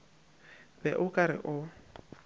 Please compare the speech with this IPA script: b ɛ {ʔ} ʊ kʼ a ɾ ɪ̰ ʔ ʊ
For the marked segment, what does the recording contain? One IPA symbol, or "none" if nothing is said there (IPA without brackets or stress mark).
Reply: ʔ